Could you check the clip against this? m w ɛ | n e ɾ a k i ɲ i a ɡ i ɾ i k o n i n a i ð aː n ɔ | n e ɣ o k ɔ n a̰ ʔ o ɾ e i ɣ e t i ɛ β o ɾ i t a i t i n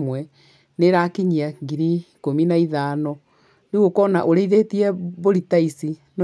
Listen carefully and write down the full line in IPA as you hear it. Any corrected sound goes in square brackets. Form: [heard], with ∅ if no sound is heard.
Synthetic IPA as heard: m w ɛ | n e ɾ a k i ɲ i a ɡ i ɾ i k o [m] i n a i ð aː n ɔ | n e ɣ o k ɔ n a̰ ʔ o ɾ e i [ð] e t i ɛ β o ɾ i t a i [s] i n